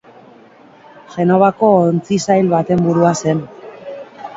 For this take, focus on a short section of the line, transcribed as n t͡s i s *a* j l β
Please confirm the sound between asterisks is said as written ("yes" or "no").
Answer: yes